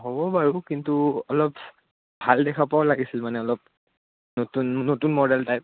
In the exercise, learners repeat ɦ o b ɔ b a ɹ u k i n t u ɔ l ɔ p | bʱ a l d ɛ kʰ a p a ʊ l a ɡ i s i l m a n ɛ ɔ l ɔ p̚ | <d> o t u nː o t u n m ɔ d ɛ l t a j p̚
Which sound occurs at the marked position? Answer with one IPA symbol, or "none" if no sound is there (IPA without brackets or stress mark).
n